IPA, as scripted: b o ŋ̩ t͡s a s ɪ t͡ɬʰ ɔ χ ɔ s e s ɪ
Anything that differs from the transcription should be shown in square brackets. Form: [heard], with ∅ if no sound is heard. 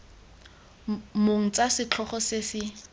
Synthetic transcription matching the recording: [m] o ŋ̩ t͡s a s ɪ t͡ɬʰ ɔ χ ɔ s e s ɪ